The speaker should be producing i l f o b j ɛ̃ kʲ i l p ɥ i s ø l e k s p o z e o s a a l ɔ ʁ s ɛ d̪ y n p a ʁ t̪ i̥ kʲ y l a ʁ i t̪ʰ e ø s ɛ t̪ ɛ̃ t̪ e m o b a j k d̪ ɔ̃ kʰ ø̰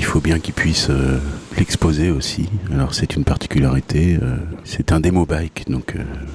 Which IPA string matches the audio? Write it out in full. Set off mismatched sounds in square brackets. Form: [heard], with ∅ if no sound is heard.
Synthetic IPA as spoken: i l f o b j ɛ̃ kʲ i l p ɥ i s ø l [ɛ] k s p o z e o s [i] a l ɔ ʁ s ɛ [t̪] y n p a ʁ t̪ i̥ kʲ y l a ʁ i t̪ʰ e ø s ɛ t̪ ɛ̃ [d̪] e m o b a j k d̪ ɔ̃ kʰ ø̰